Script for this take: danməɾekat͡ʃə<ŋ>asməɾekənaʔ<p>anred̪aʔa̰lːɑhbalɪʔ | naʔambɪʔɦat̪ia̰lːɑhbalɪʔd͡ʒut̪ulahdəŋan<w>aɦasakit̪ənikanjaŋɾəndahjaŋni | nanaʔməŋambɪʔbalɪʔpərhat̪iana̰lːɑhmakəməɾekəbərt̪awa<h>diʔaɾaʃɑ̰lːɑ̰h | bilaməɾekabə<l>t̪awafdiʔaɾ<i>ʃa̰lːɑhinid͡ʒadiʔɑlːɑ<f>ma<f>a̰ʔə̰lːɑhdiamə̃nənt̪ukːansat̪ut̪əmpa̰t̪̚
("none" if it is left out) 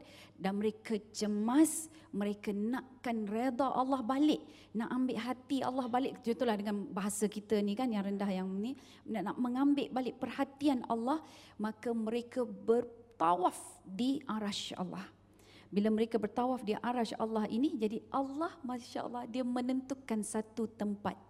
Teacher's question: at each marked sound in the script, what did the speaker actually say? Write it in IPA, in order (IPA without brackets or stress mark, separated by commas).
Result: m, k, b, f, r, a, h, ʃ